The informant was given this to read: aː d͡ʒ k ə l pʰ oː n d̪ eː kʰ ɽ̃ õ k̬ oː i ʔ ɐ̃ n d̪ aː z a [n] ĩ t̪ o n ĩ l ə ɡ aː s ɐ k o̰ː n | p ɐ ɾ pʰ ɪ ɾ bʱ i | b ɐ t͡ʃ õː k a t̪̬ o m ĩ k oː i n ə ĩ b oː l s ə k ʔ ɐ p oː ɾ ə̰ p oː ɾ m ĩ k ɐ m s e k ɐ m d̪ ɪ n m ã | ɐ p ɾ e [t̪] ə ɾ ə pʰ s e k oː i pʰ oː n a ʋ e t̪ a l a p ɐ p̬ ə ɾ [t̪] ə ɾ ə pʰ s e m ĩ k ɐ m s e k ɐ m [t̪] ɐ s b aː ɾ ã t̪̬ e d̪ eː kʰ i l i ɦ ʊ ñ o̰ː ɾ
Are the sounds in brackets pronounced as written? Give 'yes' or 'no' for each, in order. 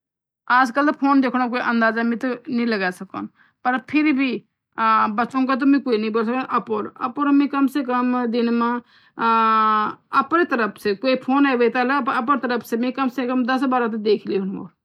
no, yes, yes, no

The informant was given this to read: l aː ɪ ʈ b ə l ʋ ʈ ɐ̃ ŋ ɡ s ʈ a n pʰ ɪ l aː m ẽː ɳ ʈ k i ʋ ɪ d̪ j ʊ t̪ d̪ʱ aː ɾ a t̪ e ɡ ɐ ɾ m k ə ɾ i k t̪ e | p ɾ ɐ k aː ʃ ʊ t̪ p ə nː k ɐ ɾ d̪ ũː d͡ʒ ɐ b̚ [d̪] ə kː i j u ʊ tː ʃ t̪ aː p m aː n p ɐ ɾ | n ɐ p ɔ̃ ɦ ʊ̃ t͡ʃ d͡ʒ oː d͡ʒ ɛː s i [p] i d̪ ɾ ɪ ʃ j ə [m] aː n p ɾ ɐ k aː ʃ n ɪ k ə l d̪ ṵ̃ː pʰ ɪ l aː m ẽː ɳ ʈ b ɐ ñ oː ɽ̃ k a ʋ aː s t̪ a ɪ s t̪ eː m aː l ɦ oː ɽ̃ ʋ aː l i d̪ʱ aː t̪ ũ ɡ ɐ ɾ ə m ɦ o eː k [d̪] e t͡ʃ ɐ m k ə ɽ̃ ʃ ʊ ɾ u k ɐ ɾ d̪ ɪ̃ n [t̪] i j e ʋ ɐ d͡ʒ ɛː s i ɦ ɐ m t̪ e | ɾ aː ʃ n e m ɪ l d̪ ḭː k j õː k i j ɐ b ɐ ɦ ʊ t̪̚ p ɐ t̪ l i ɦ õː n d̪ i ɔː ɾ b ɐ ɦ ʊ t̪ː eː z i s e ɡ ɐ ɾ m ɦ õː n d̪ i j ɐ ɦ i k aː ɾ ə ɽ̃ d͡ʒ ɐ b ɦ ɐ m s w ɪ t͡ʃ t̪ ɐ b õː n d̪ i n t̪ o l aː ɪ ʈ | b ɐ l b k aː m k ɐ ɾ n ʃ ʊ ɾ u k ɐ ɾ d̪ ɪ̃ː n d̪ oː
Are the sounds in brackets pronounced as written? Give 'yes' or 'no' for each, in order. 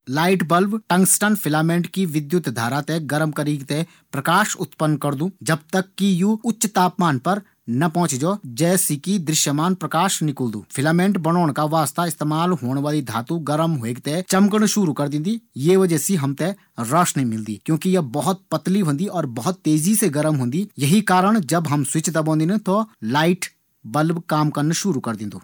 no, no, yes, no, no

